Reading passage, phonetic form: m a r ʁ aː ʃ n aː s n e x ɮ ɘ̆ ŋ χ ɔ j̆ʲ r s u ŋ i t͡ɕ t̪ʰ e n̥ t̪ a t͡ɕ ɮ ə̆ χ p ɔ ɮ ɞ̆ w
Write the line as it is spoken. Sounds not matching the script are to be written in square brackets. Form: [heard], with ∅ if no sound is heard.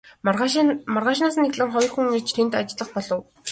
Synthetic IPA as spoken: m a r ʁ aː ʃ n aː s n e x ɮ ɘ̆ ŋ χ ɔ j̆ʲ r [x] u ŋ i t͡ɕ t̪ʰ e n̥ t̪ a t͡ɕ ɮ ə̆ χ p ɔ ɮ ɞ̆ w